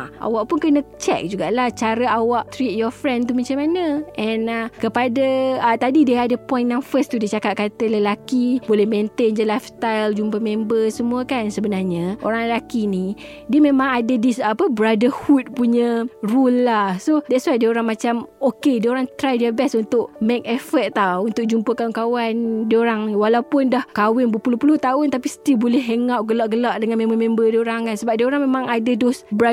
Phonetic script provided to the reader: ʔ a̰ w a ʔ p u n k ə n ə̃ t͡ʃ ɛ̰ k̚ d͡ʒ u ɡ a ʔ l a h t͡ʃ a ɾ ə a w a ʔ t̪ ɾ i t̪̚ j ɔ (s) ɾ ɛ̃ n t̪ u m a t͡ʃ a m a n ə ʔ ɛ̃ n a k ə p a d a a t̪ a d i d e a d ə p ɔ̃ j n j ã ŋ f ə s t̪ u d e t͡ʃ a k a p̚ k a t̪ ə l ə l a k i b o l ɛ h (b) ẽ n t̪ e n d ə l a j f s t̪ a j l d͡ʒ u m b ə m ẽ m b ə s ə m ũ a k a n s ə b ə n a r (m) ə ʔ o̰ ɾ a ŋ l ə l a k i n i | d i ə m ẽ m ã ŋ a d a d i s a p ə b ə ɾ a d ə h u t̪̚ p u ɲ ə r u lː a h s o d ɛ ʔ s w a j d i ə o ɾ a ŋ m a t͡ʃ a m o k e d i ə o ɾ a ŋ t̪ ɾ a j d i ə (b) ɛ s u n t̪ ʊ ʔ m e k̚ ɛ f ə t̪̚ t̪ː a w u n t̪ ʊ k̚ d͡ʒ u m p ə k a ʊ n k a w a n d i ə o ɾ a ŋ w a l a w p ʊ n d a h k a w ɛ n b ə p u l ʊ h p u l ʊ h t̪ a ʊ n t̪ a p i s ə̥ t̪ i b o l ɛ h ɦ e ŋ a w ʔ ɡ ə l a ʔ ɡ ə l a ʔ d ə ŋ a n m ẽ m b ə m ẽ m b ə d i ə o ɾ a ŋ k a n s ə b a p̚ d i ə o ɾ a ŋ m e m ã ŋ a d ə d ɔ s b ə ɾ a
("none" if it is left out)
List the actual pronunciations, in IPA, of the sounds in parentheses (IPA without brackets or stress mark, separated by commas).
f, m, ɲ, b